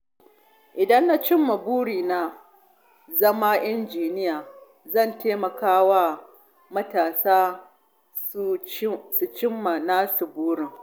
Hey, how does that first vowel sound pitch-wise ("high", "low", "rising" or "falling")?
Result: low